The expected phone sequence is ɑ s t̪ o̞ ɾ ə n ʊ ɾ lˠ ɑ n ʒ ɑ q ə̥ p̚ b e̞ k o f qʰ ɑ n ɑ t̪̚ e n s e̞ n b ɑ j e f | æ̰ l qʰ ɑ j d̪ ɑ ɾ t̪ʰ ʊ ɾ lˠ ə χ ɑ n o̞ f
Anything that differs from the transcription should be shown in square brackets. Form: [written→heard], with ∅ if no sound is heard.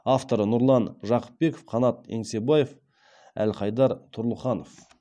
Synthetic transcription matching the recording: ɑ [s→f] t̪ o̞ ɾ ə n ʊ ɾ lˠ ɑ n ʒ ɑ q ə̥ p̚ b e̞ k o f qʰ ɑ n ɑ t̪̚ e [n→ŋ] s e̞ [n→∅] b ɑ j e f | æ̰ l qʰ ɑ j d̪ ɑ ɾ t̪ʰ ʊ ɾ lˠ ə χ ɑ n o̞ f